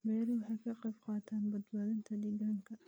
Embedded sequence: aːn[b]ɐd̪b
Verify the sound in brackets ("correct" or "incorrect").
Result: correct